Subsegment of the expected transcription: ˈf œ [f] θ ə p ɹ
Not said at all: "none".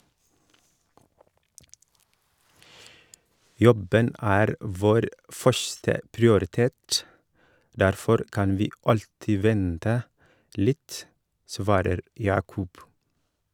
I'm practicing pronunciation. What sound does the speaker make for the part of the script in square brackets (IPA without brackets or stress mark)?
ʃ